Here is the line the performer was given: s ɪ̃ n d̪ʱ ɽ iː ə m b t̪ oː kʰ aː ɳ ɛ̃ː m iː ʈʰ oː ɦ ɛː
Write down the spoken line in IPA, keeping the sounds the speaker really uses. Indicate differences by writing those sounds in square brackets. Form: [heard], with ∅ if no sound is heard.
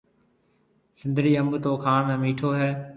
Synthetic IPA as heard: s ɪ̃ n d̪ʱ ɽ iː ə m b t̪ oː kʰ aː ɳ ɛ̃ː m iː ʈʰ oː ɦ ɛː